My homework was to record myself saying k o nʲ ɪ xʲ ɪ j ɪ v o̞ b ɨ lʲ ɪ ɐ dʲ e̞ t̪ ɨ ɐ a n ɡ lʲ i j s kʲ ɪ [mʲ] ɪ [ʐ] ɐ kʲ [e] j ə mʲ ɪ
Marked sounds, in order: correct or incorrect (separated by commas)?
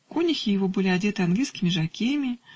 correct, correct, correct